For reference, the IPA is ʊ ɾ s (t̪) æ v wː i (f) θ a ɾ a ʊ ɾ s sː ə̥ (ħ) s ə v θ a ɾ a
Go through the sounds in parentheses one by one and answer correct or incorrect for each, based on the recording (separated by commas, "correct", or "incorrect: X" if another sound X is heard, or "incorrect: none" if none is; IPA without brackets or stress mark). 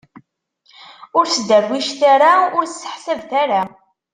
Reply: incorrect: d̪, incorrect: ʃ, correct